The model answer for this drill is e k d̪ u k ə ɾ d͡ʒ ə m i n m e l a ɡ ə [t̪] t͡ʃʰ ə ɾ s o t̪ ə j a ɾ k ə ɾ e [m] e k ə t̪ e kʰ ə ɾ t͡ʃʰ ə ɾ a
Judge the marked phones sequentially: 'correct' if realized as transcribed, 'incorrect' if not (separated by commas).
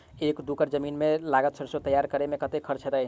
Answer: correct, correct